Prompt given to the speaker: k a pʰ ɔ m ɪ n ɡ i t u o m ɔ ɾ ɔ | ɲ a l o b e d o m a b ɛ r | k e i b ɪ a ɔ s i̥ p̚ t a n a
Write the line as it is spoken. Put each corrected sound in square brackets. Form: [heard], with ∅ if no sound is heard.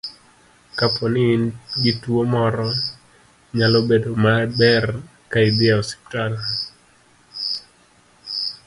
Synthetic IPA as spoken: k a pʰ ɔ [n] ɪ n ɡ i t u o m ɔ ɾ ɔ | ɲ a l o b e d o m a b ɛ r | k [a] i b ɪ a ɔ s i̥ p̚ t a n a